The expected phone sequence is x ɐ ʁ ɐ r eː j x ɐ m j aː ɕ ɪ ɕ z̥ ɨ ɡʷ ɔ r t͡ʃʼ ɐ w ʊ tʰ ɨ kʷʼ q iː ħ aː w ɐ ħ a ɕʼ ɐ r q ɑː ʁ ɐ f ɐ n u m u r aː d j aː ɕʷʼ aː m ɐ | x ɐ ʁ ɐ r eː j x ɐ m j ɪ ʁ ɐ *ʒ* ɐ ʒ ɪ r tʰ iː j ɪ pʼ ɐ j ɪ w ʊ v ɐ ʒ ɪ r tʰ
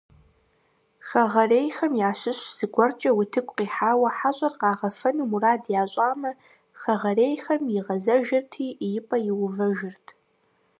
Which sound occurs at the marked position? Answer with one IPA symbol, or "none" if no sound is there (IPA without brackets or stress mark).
z